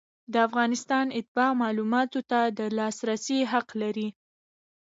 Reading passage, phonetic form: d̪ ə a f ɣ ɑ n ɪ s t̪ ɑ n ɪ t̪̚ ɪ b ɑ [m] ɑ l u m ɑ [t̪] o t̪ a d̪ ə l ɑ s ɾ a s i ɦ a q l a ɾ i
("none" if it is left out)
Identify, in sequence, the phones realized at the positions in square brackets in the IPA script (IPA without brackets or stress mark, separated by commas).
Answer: m, t̪